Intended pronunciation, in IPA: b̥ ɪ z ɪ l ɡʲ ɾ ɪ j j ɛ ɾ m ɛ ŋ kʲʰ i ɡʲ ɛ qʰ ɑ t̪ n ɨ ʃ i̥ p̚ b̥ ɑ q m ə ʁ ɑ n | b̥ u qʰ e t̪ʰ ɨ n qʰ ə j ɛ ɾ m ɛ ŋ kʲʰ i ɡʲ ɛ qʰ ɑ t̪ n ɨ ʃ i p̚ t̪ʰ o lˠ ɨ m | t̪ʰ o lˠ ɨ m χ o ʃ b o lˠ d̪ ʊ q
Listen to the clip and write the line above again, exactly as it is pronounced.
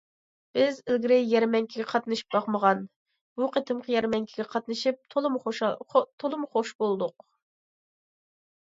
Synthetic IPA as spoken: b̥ ɪ z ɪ l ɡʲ ɾ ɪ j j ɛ ɾ m ɛ ŋ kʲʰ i ɡʲ ɛ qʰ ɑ t̪ n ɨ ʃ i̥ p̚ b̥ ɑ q m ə ʁ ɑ n | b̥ u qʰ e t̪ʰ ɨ m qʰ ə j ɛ ɾ m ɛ ŋ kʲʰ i ɡʲ ɛ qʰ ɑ t̪ n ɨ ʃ i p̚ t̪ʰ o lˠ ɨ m | t̪ʰ o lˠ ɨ m χ o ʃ b o lˠ d̪ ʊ q